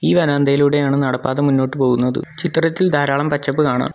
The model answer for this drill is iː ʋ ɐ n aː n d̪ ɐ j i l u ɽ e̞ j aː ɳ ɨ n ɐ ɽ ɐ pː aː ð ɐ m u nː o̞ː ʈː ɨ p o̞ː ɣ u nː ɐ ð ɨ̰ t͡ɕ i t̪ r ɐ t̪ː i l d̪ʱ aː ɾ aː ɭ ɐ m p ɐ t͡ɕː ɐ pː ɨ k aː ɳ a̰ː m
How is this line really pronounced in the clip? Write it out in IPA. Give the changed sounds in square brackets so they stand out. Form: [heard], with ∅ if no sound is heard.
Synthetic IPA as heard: iː ʋ ɐ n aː n d̪ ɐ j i l u ɽ e̞ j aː ɳ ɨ n ɐ ɽ ɐ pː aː ð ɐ m u nː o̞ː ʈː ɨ p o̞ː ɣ u nː ɐ ð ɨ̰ t͡ɕ i t̪ r ɐ t̪ː i l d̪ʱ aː ɾ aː ɭ ɐ m p ɐ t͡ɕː ɐ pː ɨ k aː ɳ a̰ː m